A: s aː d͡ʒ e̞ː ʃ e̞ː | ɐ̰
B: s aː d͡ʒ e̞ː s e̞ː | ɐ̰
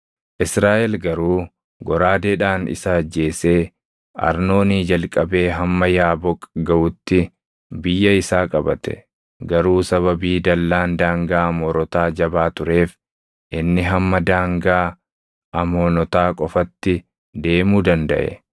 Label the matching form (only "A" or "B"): B